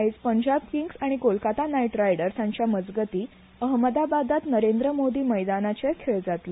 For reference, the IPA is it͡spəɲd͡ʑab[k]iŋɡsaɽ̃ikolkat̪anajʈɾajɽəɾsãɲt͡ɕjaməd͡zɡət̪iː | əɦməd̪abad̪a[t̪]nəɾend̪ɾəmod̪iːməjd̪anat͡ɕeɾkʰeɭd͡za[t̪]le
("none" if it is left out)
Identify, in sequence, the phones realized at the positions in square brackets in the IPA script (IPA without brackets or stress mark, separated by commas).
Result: k, t̪, t̪